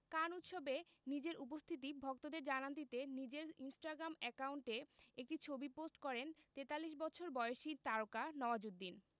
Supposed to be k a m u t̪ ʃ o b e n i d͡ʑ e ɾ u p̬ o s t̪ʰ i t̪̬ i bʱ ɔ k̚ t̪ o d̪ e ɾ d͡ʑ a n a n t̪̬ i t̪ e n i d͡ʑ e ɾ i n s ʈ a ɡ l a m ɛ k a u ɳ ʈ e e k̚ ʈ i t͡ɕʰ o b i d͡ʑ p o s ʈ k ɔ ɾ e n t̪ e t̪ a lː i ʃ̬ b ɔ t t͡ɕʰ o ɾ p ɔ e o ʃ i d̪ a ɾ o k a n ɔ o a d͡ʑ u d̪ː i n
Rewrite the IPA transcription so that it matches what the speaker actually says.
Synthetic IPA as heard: k a n u t̪ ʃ o b e n i d͡ʑ e ɾ u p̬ o s t̪ʰ i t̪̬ i bʱ ɔ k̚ t̪ o d̪ e ɾ d͡ʑ a n a n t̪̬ i t̪ e n i d͡ʑ e ɾ i n s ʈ a ɡ ɾ a m ɛ k a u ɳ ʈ e e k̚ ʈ i t͡ɕʰ o b i p o s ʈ k ɔ ɾ e n t̪ e t̪ a lː i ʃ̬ b ɔ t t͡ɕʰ o ɾ b ɔ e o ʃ i t̪ a ɾ o k a n ɔ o a d͡ʑ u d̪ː i n